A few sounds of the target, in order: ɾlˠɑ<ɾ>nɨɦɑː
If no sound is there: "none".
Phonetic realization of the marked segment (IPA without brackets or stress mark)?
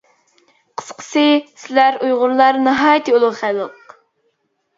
ɾ